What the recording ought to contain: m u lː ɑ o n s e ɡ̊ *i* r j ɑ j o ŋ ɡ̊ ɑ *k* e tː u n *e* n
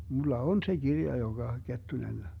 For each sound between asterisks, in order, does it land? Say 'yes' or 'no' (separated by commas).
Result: yes, yes, yes